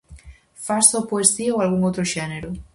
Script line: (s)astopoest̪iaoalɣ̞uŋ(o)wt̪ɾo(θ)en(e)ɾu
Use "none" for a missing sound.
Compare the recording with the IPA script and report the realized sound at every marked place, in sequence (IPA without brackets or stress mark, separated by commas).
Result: f, o, ʃ, e